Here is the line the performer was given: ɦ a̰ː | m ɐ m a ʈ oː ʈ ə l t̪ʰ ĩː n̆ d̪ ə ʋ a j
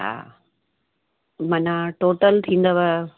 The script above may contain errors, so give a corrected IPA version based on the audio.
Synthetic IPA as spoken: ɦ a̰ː | m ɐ n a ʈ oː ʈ ə l t̪ʰ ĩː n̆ d̪ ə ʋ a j